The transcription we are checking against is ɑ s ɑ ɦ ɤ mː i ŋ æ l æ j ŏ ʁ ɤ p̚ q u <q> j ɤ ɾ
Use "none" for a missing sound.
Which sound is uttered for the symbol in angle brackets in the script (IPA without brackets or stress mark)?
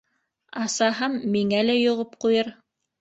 none